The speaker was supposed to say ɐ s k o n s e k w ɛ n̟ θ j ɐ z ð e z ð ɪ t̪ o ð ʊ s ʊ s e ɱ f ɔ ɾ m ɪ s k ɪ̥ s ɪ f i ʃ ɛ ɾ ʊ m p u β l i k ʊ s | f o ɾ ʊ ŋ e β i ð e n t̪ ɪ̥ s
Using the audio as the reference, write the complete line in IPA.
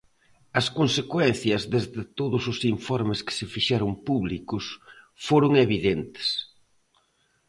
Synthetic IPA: ɐ s k o n s e k w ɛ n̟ θ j ɐ z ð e z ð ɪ t̪ o ð ʊ s ʊ s i ɱ f ɔ ɾ m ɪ s k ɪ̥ s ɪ f i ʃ ɛ ɾ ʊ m p u β l i k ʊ s | f o ɾ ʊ ŋ e β i ð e n t̪ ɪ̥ s